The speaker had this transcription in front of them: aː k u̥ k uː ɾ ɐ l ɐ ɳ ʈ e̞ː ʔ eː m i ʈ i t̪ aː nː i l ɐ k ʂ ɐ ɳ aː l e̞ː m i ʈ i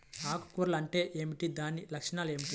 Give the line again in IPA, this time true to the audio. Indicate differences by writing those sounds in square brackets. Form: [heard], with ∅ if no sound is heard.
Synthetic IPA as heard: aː k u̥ k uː ɾ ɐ l ɐ ɳ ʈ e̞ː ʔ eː m i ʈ i [d̪] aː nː i l ɐ k ʂ ɐ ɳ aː l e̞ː m i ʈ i